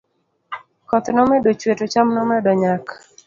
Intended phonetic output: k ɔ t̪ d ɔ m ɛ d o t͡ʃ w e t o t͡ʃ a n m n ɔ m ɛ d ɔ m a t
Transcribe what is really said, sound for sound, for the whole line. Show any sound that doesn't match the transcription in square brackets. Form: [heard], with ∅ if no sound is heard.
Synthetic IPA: k ɔ t̪ [n] ɔ m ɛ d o t͡ʃ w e t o t͡ʃ a [∅] m n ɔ m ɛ d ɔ [ɲ] a [k]